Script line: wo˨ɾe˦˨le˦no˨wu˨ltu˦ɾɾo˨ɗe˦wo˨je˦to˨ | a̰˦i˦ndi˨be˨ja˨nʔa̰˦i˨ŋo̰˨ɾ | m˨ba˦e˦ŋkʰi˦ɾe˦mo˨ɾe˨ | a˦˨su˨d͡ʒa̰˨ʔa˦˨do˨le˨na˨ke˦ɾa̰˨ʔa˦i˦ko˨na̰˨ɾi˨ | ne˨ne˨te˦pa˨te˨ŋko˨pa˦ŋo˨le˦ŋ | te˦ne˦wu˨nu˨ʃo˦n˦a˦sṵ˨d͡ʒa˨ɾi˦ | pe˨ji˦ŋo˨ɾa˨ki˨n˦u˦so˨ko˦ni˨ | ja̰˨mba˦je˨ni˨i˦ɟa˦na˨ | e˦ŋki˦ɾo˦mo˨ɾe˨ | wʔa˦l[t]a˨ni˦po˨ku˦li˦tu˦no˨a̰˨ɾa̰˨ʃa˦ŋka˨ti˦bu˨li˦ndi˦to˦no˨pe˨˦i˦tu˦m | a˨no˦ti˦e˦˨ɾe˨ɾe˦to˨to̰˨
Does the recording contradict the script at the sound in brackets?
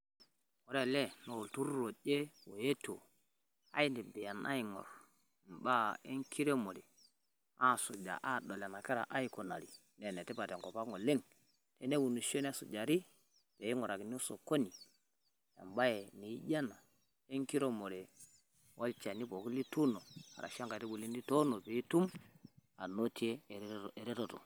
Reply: yes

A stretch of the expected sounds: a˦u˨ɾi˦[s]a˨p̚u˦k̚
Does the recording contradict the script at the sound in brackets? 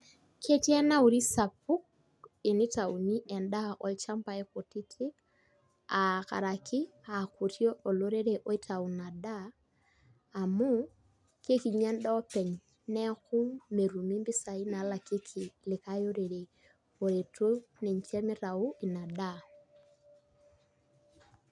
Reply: no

